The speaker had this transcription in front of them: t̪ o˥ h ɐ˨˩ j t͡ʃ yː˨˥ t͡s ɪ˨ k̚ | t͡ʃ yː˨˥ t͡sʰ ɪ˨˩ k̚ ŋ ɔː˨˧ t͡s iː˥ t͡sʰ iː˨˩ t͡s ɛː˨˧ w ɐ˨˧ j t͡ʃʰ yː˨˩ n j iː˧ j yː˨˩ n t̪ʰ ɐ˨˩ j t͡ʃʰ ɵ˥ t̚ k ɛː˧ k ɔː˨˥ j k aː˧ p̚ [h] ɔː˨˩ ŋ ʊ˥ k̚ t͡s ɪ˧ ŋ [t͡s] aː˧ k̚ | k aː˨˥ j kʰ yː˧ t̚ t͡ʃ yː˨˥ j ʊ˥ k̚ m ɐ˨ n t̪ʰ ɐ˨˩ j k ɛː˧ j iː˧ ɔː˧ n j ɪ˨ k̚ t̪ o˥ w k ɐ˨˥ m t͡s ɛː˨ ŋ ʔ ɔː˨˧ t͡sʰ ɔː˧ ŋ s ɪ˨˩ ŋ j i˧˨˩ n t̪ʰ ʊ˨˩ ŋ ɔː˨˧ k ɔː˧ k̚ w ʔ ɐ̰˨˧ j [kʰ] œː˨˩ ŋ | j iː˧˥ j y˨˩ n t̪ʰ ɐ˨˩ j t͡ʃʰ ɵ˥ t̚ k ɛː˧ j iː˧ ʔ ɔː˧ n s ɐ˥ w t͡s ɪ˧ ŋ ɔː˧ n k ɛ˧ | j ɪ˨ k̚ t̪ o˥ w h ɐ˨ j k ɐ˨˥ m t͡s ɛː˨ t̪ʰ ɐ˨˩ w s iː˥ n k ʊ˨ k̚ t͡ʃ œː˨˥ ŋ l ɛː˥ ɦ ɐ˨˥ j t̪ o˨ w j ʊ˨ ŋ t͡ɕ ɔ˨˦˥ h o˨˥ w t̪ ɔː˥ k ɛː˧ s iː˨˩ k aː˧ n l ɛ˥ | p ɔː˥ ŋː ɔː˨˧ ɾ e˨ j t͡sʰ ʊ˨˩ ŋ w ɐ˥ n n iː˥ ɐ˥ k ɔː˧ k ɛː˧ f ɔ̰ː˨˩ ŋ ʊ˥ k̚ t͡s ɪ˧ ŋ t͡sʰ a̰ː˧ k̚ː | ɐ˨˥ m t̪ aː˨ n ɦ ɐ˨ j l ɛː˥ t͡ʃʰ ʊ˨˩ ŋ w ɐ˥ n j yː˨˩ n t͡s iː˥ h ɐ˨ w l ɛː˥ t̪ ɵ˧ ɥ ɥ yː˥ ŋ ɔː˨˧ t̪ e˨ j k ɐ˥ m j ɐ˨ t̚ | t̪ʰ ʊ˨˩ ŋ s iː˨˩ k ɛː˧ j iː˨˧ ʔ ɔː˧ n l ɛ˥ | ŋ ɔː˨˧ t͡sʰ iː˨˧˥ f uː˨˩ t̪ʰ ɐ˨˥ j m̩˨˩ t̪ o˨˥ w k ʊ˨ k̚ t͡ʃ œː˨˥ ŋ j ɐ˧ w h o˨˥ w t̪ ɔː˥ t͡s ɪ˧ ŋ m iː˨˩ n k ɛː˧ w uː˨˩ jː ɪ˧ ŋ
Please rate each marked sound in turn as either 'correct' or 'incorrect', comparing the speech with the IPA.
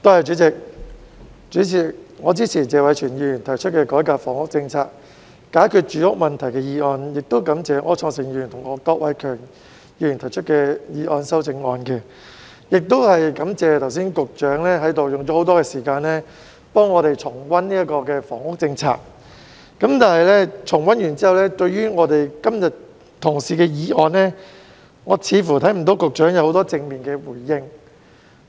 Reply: incorrect, incorrect, correct

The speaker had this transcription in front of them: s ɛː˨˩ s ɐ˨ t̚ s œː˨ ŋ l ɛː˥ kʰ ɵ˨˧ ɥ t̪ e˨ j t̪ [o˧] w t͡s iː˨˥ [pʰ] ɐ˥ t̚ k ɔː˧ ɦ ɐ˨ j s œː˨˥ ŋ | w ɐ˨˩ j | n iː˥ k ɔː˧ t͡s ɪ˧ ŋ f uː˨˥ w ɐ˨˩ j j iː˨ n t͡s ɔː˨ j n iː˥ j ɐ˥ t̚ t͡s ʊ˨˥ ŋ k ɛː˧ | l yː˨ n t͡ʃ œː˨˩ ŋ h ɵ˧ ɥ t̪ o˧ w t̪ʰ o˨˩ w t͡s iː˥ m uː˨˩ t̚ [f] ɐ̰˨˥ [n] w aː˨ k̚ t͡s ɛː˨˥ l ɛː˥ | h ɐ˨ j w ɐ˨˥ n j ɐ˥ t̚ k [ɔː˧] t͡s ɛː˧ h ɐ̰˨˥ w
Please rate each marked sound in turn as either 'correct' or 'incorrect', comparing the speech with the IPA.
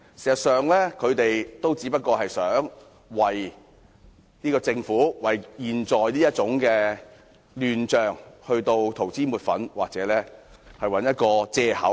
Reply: incorrect, incorrect, correct, correct, correct

